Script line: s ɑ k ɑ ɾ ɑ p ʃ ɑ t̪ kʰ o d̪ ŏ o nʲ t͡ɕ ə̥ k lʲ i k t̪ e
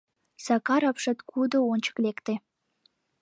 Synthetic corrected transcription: s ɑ k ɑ ɾ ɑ p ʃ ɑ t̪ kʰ u d̪ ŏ o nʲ t͡ɕ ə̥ k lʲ e k t̪ e